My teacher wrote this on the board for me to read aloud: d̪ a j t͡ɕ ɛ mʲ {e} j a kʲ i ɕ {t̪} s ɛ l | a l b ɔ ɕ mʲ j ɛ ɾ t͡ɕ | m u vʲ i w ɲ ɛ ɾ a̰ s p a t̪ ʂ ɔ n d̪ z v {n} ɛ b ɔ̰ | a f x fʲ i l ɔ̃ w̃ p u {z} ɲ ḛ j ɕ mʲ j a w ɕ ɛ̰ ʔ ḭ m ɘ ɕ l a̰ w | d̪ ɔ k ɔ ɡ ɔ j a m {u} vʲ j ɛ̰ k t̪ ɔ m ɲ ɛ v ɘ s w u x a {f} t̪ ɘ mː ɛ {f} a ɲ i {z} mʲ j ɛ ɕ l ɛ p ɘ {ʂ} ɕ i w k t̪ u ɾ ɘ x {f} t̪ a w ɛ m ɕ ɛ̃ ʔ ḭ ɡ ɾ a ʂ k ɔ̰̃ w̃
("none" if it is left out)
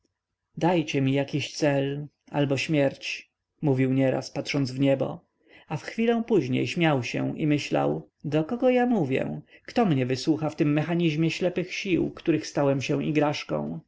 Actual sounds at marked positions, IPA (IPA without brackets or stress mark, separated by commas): i, t̪, ɲ, ʑ, u, f, x, ʑ, x, s